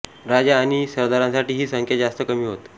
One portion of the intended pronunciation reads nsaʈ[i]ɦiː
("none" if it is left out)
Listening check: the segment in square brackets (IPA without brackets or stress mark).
iː